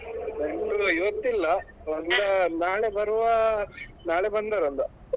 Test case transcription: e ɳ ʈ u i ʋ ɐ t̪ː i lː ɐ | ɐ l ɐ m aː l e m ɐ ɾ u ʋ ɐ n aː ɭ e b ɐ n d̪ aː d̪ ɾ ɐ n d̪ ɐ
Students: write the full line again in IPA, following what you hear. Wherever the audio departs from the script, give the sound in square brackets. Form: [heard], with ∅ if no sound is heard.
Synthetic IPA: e ɳ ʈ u i ʋ ɐ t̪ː i lː ɐ | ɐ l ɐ [n] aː [ɭ] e [b] ɐ ɾ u ʋ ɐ n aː ɭ e b ɐ n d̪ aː [∅] ɾ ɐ n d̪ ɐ